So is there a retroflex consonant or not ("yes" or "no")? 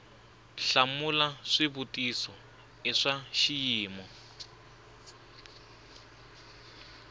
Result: yes